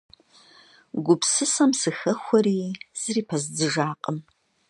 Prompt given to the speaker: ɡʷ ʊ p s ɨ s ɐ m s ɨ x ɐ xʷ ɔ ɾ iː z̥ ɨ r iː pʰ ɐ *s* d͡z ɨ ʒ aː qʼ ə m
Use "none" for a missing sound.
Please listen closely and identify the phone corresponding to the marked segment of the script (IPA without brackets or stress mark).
z